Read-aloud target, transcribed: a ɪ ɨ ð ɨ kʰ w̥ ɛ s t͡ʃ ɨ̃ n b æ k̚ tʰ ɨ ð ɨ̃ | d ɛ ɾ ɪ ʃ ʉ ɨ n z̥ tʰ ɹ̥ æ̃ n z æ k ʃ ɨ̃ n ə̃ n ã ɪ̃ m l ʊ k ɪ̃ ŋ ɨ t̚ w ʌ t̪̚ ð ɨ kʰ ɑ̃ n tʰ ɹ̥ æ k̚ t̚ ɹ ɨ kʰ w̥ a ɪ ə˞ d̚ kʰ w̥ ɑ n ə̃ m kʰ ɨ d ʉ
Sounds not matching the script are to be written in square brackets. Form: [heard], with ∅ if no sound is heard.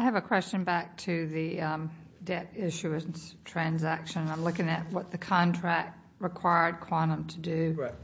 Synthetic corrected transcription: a ɪ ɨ [v] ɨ kʰ w̥ ɛ s t͡ʃ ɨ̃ n b æ k̚ tʰ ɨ ð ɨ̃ | d ɛ ɾ ɪ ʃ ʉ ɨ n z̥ tʰ ɹ̥ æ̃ n z æ k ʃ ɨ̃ n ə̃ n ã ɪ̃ m l ʊ k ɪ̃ ŋ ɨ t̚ w ʌ t̪̚ ð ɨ kʰ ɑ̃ n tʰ ɹ̥ æ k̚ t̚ ɹ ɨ kʰ w̥ a ɪ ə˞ d̚ kʰ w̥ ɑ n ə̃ m [tʰ] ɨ d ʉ